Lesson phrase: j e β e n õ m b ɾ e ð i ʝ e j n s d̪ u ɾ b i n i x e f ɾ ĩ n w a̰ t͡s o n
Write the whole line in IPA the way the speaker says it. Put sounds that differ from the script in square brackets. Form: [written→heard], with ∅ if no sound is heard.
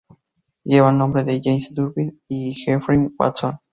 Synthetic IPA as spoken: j e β [e→a] n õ m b ɾ e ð [i→e] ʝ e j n s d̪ u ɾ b i n i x e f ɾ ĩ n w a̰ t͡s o n